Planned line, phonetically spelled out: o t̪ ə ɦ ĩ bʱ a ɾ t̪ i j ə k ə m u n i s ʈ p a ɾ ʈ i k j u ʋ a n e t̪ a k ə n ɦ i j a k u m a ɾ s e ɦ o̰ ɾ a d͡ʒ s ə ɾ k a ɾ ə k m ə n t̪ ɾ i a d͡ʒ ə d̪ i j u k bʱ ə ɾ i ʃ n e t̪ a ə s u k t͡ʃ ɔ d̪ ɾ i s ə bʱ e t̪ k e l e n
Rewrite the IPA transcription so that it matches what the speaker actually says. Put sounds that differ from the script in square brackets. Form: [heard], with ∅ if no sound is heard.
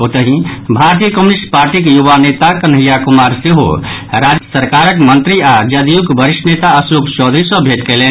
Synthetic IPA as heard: o t̪ ə ɦ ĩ bʱ a ɾ t̪ i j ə k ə m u n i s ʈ p a ɾ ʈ i k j u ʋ a n e t̪ a k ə n ɦ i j a k u m a ɾ s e ɦ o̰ ɾ a d͡ʒ s ə ɾ k a ɾ ə k m ə n t̪ ɾ i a d͡ʒ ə d̪ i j u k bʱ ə ɾ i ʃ n e t̪ a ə s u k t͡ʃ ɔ d̪ ɾ i s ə bʱ e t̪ k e l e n

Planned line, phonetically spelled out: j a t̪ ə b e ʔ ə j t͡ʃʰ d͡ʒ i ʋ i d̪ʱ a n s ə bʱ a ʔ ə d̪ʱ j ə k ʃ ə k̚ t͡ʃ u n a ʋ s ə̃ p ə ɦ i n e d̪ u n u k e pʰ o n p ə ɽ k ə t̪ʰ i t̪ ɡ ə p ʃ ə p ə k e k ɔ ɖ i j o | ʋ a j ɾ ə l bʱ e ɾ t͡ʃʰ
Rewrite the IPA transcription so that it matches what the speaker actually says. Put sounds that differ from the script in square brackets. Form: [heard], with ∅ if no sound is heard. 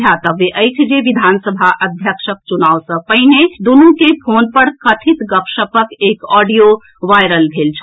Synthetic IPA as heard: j a t̪ ə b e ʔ ə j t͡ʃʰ d͡ʒ [e] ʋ i d̪ʱ a n s ə bʱ a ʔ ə d̪ʱ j ə k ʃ ə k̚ t͡ʃ u n a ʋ s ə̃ p ə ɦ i n e d̪ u n u k e pʰ o n p ə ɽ k ə t̪ʰ i t̪ ɡ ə p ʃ ə p ə k e k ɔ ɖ i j o | ʋ a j ɾ ə l bʱ e [l] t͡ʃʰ

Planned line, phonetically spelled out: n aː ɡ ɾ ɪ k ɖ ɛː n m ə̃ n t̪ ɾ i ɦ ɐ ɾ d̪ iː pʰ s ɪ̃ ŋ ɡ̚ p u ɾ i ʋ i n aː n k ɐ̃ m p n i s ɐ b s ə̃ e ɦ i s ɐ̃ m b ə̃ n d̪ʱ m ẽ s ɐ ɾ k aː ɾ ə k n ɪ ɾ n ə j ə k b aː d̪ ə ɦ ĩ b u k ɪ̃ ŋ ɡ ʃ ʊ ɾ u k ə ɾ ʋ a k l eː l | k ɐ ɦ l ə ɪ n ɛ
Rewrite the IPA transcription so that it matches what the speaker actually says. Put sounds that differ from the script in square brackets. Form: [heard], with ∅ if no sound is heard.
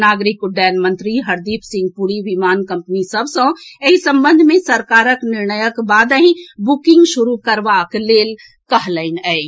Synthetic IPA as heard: n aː ɡ ɾ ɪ k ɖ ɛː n m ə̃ n t̪ ɾ i ɦ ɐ ɾ d̪ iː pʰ s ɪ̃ ŋ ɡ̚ p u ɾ i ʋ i [m] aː n k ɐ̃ m p n i s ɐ b s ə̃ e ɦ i s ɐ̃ m b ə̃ n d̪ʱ m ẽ s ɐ ɾ k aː ɾ ə k n ɪ ɾ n ə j ə k b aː d̪ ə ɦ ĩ b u k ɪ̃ ŋ ɡ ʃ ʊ ɾ u k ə ɾ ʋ a k l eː l | k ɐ ɦ l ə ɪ n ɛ

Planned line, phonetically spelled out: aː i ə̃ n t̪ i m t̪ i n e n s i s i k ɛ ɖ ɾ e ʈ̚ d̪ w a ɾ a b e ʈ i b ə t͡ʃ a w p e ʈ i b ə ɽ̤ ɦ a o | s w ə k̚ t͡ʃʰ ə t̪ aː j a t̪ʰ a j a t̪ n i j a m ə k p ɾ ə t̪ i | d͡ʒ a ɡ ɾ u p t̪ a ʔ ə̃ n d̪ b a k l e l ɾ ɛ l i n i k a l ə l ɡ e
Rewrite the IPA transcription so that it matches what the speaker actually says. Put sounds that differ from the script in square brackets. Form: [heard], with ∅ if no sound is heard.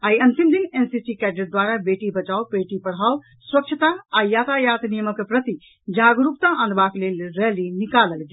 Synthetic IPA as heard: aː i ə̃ n t̪ i m [d̪] i n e n s i s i k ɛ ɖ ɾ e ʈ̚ d̪ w a ɾ a b e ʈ i b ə t͡ʃ a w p e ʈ i [p] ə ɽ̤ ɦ a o | s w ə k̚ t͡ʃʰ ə t̪ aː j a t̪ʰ a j a t̪ n i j [ə] m ə k p ɾ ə t̪ i | d͡ʒ a ɡ ɾ u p t̪ a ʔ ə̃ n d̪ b a k l e l ɾ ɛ l i n i k a l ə l ɡ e

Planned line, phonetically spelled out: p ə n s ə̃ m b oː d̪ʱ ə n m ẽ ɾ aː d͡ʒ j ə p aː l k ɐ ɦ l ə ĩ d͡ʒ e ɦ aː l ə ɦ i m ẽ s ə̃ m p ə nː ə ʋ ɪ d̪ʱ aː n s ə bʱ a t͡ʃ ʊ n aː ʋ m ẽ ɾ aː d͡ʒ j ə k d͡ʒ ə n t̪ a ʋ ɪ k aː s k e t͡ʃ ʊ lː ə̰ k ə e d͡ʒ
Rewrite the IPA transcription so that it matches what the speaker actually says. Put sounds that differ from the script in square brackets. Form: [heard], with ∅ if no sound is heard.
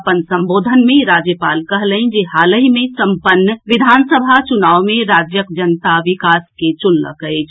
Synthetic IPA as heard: p ə n s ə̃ m b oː d̪ʱ ə n m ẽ ɾ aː d͡ʒ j ə p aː l k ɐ ɦ l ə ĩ d͡ʒ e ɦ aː l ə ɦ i m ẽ s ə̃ m p ə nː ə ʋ ɪ d̪ʱ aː n s ə bʱ a t͡ʃ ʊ n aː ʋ m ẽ ɾ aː d͡ʒ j ə k d͡ʒ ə n t̪ a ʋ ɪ k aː s k e t͡ʃ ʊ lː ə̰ k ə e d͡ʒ

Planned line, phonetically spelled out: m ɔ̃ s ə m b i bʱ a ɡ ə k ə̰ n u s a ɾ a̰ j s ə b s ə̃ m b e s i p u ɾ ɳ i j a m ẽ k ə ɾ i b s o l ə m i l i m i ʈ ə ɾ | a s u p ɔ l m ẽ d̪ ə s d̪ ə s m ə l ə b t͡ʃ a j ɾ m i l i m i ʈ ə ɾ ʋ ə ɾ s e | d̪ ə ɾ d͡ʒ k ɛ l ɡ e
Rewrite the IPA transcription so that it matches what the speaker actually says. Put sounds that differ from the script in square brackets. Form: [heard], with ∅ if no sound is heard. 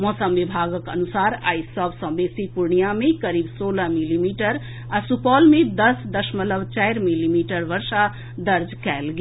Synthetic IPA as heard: m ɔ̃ s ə m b i bʱ a ɡ ə k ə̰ n u s a ɾ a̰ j s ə b s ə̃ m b e s i p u ɾ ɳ i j a m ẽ k ə ɾ i b s o l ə m i l i m i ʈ ə ɾ | a s u p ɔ l m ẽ d̪ ə s d̪ ə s m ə l ə b t͡ʃ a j ɾ m i l i m i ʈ ə ɾ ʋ ə ɾ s [a] | d̪ ə ɾ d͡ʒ k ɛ l ɡ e

